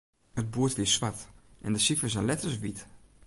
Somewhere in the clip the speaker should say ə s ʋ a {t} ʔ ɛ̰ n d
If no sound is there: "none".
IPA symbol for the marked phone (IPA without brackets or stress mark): t